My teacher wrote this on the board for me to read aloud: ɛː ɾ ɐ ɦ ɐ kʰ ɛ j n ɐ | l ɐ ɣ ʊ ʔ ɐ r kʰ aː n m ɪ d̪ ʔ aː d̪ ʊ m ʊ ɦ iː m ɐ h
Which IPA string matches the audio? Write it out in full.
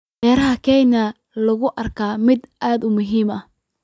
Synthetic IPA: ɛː ɾ ɐ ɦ ɐ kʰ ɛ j n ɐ | l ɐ ɣ ʊ ʔ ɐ r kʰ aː m ɪ d̪ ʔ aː d̪ ʊ m ʊ ɦ iː m ɐ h